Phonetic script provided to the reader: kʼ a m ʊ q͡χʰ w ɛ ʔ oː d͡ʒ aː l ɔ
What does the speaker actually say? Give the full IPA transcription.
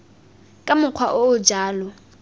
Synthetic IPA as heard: kʼ a m ʊ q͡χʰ w a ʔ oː d͡ʒ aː l ɔ